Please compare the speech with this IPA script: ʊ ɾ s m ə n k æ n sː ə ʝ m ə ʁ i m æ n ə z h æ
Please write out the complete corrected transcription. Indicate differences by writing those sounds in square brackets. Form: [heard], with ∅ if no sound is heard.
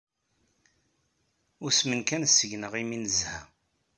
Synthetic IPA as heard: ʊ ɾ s m ə n k æ n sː ə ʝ [n] ə ʁ i m [i] n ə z h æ